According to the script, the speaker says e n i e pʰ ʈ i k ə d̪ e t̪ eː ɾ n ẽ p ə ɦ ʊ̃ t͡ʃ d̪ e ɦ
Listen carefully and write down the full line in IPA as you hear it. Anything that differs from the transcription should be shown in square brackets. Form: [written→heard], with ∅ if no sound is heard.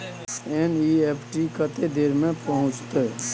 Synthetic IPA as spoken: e n i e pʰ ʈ i k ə [d̪→t̪] e [t̪→d̪] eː ɾ [n→m] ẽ p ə ɦ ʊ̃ t͡ʃ [d̪→t̪] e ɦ